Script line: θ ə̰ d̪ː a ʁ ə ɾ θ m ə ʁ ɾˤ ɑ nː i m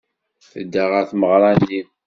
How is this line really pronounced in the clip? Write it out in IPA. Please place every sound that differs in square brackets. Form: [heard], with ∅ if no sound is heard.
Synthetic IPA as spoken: θ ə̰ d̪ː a ʁ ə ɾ θ m ə ʁ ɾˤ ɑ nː i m

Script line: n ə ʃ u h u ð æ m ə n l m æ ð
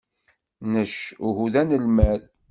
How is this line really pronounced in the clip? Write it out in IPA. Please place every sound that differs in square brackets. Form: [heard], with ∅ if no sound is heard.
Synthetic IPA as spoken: n ə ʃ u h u ð æ [n] ə [∅] l m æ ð

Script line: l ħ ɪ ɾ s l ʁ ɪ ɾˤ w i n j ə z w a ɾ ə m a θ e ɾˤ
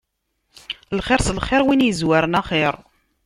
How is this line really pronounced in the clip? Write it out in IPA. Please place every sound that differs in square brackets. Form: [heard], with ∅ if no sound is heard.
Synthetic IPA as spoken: l [χ] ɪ ɾ s l [χ] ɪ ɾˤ w i n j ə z w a ɾ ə [n] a [χ] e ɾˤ

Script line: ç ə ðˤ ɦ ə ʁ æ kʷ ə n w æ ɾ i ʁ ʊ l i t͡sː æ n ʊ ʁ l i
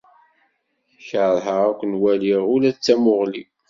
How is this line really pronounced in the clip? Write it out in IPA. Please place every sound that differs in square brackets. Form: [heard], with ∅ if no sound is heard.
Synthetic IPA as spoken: ç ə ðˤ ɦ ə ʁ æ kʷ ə n w æ [l] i ʁ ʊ l [æ] t͡sː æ [m] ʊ ʁ l i

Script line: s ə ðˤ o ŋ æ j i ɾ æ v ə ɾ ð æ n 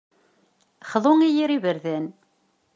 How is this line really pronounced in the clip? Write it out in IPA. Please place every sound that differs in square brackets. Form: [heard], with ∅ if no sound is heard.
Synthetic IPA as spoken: [χ] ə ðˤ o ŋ [i] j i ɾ [i] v ə ɾ ð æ n

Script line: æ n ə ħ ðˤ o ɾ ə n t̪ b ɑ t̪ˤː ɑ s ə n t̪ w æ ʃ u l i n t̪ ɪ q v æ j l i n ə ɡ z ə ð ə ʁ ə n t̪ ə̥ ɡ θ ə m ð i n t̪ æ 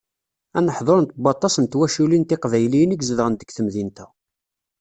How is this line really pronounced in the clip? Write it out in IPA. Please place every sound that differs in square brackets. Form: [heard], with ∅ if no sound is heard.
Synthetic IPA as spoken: æ n ə ħ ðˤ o ɾ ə n t̪ b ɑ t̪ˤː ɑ s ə n t̪ w æ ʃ u l i n t̪ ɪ q v æ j l i n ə ɡ z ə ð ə ʁ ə n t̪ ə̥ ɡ θ ə m ð i n t̪ æ

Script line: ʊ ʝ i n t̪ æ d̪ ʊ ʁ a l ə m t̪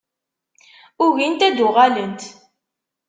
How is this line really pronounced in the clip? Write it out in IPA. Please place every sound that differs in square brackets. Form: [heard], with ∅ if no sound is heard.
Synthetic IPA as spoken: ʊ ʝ i n t̪ æ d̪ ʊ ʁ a l ə [n] t̪

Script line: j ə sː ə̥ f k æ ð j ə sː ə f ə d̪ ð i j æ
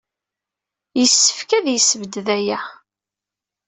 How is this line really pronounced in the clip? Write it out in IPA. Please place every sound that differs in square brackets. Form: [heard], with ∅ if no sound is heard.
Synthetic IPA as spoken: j ə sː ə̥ f k æ ð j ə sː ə [v] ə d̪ ð [æ] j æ

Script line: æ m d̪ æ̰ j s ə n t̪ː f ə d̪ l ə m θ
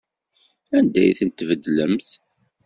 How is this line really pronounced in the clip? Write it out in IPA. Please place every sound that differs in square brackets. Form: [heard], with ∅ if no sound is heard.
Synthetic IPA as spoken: æ [n] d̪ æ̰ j [θ] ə n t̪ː [v] ə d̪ l ə m θ

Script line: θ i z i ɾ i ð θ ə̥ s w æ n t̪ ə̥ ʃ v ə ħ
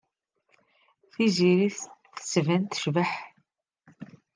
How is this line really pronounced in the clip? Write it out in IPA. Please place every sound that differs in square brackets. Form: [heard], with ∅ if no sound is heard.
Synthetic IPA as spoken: θ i z i ɾ i [θ] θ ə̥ s [v] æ n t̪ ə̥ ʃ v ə ħ

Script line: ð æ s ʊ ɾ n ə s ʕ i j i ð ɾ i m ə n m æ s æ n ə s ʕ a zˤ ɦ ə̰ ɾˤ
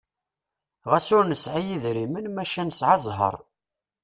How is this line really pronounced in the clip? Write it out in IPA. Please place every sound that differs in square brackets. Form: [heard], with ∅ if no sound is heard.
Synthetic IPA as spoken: [ʁ] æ s ʊ ɾ n ə s ʕ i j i ð ɾ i m ə n m æ [ʃ] æ n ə s ʕ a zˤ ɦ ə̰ ɾˤ

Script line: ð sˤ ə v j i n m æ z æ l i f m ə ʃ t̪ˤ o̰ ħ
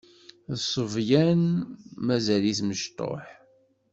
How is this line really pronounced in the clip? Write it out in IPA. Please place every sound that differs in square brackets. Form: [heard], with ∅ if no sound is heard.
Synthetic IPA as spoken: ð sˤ ə v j [æ] n m æ z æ l i [θ] m ə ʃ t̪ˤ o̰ ħ

